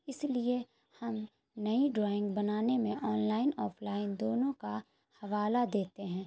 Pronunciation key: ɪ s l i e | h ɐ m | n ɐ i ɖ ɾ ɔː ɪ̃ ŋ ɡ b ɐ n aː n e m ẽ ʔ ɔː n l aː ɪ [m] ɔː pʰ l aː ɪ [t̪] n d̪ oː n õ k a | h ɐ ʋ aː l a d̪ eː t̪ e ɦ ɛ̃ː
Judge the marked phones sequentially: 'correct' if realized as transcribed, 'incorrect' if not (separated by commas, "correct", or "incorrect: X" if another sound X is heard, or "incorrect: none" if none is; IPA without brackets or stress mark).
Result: incorrect: n, incorrect: none